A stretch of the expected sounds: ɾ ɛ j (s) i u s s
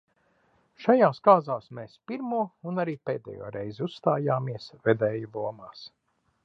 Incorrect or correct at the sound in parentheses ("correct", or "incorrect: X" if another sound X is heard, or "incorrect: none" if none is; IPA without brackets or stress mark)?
incorrect: z